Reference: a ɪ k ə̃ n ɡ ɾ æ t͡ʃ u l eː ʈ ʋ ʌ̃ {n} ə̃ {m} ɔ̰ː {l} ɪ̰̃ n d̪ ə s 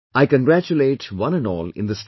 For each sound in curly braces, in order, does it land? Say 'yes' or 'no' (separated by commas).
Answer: yes, no, yes